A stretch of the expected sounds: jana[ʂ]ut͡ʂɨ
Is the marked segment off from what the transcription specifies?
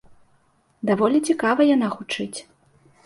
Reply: yes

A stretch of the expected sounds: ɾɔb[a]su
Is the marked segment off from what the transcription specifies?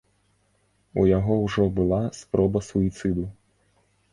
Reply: yes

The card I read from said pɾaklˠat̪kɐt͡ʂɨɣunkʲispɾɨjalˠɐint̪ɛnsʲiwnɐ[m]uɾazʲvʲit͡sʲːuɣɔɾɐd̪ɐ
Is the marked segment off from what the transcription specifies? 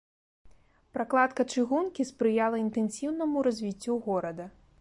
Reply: no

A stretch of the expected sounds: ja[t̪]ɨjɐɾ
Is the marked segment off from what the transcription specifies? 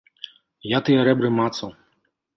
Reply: no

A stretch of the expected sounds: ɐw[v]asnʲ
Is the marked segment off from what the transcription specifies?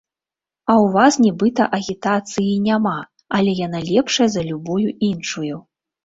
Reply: no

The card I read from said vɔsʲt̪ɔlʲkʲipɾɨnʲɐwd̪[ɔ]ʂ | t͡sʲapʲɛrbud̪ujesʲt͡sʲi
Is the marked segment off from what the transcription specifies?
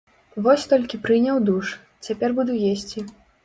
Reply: yes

